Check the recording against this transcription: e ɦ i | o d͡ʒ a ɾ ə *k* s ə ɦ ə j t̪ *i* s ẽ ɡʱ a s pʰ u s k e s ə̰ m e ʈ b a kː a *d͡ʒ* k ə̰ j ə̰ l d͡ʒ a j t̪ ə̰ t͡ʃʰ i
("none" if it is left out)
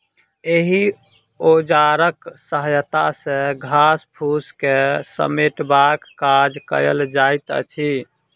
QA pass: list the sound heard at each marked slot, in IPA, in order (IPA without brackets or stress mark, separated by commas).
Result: k, a, d͡ʒ